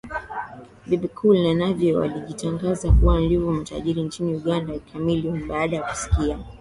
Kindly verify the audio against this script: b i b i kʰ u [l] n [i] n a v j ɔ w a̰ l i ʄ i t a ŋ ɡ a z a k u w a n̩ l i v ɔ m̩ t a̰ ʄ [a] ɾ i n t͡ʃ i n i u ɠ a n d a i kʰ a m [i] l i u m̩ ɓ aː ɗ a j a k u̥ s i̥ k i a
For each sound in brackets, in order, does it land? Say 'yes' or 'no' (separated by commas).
yes, no, no, yes